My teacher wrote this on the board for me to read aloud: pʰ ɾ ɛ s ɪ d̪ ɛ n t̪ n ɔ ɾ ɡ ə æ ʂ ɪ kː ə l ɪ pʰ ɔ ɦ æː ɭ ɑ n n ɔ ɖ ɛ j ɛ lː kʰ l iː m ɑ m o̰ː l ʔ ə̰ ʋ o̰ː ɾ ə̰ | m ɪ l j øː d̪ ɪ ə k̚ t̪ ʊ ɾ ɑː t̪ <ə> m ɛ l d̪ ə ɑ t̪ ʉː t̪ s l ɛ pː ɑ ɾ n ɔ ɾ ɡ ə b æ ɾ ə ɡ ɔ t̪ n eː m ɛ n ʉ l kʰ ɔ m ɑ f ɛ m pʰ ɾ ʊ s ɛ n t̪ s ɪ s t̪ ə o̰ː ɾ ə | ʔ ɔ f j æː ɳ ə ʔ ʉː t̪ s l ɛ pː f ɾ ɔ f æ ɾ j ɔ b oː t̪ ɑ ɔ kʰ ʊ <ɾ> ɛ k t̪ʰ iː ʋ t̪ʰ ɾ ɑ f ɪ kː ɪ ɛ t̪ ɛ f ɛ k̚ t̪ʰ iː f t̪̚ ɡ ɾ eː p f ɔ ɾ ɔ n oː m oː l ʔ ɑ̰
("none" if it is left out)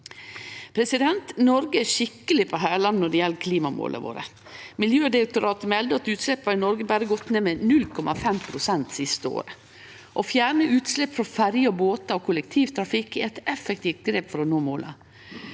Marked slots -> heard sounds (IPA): ə, l

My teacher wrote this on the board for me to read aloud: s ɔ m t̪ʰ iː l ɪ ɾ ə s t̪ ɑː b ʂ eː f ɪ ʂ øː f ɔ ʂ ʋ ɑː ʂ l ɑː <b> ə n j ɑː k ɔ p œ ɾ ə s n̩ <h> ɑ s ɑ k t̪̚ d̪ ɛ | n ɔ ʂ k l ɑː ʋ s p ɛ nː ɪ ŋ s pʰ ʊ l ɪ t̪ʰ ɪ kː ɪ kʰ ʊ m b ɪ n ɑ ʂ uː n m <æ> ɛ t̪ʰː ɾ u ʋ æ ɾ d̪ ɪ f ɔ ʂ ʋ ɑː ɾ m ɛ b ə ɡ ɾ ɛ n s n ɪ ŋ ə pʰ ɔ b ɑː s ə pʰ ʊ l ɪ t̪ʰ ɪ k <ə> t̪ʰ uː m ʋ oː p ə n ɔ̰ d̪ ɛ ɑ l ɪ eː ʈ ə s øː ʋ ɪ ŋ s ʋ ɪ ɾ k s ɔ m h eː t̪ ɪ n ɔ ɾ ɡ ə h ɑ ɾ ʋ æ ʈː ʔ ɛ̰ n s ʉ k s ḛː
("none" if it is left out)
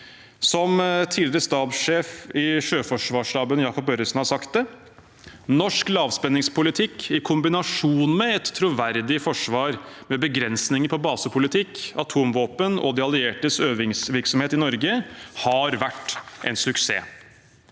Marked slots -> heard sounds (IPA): b, h, ɛ, ɑ

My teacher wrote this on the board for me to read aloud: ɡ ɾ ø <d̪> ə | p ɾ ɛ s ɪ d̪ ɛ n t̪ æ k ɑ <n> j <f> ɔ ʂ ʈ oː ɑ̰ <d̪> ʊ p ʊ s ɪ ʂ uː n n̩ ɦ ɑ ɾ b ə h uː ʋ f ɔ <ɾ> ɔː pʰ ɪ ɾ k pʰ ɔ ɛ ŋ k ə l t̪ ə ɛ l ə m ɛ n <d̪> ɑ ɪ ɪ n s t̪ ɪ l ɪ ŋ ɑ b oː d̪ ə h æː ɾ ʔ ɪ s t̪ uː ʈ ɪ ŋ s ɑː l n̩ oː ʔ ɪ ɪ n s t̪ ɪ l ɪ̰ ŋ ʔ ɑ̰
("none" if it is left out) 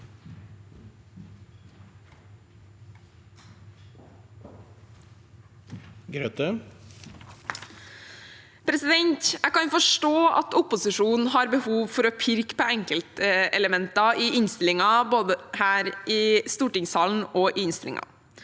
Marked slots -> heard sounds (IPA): t̪, n, f, t̪, ɾ, t̪

